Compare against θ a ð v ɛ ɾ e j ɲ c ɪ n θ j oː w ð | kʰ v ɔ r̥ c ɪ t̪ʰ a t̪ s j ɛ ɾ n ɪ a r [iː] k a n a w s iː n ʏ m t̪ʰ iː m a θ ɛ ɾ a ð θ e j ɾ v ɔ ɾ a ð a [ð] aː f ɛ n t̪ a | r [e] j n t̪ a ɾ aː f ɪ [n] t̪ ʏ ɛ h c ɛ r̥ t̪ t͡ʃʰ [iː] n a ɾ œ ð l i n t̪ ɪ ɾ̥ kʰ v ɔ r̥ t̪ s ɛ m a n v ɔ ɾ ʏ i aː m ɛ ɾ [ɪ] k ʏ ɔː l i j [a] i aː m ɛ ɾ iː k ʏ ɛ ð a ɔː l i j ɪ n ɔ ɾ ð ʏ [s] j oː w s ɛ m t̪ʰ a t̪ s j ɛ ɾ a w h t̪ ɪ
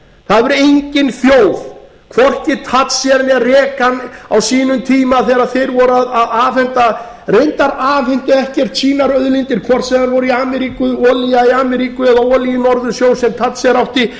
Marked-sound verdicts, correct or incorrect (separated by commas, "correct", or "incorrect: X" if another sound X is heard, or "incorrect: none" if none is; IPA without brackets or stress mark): incorrect: ɛː, correct, correct, correct, correct, incorrect: i, correct, correct